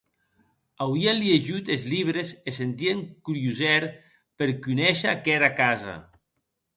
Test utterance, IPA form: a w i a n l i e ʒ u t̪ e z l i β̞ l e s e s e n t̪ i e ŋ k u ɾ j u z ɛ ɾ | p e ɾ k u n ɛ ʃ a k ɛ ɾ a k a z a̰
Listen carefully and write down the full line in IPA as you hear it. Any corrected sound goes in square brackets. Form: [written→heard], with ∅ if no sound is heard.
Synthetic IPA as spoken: a w i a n l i e ʒ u t̪ e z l i β̞ [l→ɾ] e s e s e n t̪ i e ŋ k u ɾ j u z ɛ ɾ | p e ɾ k u n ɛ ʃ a k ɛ ɾ a k a z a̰